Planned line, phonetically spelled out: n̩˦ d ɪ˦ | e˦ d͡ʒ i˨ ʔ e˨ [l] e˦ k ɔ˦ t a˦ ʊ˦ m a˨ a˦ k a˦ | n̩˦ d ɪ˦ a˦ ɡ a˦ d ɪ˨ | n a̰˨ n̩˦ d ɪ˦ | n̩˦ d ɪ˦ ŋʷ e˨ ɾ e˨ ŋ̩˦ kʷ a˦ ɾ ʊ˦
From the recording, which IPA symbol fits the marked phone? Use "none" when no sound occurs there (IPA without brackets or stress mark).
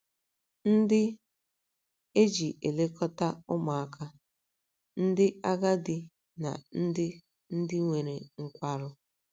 l